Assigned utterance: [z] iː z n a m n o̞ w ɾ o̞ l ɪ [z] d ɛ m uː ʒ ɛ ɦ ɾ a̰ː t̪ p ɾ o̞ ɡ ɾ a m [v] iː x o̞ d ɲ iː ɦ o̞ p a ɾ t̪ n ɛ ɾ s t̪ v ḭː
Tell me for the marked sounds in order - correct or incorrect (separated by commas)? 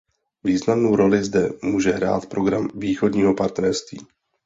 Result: incorrect, correct, correct